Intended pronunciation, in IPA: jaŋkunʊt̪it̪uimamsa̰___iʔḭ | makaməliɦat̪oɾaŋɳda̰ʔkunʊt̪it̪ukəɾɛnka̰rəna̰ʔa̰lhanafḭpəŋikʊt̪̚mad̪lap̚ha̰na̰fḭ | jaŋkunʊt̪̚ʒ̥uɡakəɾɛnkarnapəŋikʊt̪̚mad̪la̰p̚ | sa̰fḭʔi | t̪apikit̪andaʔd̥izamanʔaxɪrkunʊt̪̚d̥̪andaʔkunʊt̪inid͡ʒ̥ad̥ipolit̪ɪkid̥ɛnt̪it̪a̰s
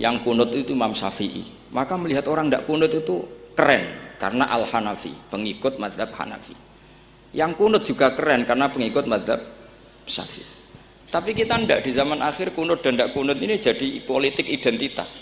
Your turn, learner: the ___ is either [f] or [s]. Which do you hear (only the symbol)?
f